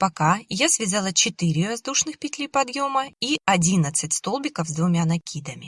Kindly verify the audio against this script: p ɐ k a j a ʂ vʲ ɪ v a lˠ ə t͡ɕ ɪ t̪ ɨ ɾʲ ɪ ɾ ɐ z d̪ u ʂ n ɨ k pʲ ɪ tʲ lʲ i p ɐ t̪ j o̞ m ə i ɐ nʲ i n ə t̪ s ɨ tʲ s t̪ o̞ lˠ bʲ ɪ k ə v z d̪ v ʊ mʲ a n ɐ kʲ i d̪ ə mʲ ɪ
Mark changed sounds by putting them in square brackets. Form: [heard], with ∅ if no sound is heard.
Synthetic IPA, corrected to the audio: p ɐ k a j a [s] vʲ ɪ [z] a lˠ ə t͡ɕ ɪ t̪ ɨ ɾʲ ɪ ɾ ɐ z d̪ u ʂ n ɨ [x] pʲ ɪ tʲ lʲ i p ɐ [d̪] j o̞ m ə i ɐ [dʲ] i n ə t̪ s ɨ tʲ s t̪ o̞ lˠ bʲ ɪ k ə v z d̪ v ʊ mʲ a n ɐ kʲ i d̪ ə mʲ ɪ